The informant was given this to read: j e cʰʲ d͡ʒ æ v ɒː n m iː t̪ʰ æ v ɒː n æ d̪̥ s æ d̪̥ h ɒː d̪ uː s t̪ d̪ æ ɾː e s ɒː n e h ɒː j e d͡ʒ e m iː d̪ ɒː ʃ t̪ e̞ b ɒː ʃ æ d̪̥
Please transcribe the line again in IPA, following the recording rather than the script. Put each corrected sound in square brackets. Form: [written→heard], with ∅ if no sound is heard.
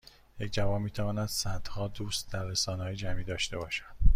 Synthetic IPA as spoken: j e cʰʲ d͡ʒ æ v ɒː n m iː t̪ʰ æ v ɒː n æ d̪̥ s æ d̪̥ h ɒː d̪ uː s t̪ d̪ æ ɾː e s ɒː n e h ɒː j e d͡ʒ [e→æ] m iː d̪ ɒː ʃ t̪ e̞ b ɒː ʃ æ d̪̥